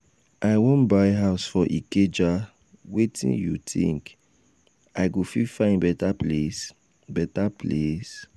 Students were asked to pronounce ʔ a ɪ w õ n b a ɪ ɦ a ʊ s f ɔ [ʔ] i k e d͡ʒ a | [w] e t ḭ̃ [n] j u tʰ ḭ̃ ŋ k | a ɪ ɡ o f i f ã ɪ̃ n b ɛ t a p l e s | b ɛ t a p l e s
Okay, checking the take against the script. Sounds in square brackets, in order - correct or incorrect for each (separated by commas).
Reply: correct, correct, correct